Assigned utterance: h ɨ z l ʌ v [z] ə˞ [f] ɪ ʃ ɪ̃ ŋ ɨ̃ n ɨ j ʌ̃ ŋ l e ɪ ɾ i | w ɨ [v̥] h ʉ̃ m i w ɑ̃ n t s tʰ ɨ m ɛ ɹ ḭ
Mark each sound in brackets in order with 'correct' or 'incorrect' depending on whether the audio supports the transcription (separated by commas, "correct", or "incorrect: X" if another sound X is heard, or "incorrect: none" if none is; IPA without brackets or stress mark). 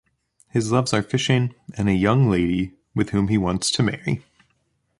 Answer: correct, correct, incorrect: ð̥